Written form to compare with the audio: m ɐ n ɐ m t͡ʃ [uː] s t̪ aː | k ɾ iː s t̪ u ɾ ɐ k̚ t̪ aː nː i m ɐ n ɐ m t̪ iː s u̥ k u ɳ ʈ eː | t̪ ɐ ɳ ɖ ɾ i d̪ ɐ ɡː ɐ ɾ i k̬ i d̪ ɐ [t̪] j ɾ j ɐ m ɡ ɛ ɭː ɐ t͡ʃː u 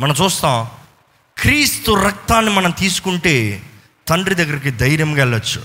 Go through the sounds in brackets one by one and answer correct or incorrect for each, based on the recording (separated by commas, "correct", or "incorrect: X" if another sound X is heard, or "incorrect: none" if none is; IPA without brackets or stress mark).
correct, incorrect: none